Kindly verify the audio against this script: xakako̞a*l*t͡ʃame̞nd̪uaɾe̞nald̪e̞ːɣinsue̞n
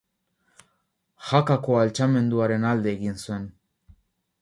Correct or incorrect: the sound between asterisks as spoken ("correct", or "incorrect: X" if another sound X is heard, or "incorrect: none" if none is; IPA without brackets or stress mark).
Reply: correct